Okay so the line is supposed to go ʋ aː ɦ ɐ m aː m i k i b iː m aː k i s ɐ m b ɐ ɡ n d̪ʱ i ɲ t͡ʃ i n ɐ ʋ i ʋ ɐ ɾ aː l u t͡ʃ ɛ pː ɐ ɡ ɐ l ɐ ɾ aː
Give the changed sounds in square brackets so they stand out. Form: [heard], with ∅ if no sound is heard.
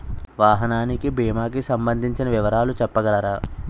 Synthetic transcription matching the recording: ʋ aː ɦ ɐ [n] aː [n] i k i b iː m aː k i s ɐ m b ɐ [∅] n d̪ʱ i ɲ t͡ʃ i n ɐ ʋ i ʋ ɐ ɾ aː l u t͡ʃ ɛ pː ɐ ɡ ɐ l ɐ ɾ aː